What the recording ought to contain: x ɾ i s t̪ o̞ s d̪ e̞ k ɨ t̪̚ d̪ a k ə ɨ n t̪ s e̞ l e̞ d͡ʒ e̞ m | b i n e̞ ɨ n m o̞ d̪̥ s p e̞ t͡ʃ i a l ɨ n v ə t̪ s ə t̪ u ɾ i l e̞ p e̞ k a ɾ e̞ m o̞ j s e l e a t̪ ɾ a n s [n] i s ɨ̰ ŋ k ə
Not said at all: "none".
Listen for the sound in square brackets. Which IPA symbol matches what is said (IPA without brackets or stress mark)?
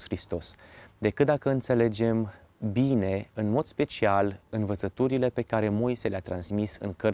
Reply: m